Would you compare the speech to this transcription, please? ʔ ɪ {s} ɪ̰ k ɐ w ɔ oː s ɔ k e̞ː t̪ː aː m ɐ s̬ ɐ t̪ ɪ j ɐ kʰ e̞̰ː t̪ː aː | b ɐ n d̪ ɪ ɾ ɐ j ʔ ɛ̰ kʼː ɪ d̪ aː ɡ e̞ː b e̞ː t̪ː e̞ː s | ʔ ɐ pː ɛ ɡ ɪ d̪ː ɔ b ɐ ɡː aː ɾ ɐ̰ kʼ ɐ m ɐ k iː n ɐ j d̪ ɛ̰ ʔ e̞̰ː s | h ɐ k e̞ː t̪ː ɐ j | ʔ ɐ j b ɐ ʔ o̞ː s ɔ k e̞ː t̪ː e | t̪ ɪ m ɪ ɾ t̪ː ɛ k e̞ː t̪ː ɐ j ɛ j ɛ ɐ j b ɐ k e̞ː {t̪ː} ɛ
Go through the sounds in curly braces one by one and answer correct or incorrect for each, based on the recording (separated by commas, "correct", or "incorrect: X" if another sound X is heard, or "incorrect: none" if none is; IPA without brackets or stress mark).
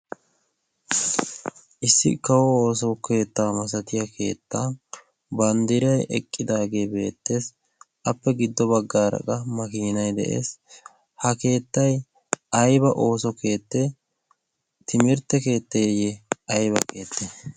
incorrect: sː, correct